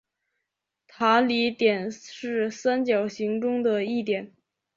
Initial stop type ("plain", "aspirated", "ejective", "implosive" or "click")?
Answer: aspirated